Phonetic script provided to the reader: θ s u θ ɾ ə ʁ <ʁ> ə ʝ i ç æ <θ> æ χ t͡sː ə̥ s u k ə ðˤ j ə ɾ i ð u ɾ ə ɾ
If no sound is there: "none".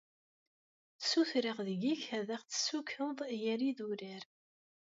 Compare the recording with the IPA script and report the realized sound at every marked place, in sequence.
ð, ð

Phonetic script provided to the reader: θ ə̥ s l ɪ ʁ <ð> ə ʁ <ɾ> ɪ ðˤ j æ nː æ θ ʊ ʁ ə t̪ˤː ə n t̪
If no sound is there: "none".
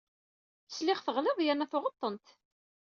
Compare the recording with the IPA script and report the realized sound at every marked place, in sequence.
θ, l

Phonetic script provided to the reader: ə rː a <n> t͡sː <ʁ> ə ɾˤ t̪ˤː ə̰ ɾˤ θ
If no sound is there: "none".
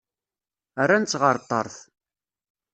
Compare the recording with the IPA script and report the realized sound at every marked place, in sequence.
n, ʁ

